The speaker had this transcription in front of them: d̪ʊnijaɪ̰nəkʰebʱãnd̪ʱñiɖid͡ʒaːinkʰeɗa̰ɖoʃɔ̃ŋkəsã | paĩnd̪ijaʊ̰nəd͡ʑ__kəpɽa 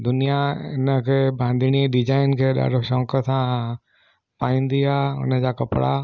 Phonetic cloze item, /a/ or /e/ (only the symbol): a